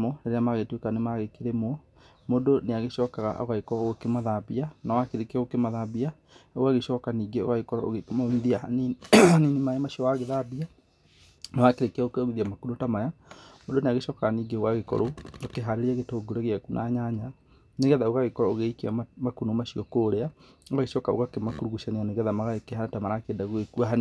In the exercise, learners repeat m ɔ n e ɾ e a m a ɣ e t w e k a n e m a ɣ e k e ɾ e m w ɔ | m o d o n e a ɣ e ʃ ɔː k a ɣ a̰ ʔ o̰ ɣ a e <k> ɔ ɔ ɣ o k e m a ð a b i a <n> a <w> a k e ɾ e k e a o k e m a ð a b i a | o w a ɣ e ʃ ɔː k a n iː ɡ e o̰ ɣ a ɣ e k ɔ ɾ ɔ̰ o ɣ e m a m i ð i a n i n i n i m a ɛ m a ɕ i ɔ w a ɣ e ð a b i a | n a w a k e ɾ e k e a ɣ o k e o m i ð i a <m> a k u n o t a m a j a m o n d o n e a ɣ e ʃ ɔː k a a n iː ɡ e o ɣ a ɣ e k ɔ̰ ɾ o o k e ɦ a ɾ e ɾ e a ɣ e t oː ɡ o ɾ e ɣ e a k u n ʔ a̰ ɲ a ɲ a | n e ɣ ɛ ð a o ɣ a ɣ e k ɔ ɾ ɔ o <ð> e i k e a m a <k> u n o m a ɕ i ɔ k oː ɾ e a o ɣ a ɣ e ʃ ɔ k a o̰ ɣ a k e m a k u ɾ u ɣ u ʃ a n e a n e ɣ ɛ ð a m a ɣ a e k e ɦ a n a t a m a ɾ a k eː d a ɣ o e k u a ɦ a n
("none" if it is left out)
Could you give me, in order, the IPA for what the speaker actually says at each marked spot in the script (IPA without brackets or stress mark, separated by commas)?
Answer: k, n, w, m, ɣ, k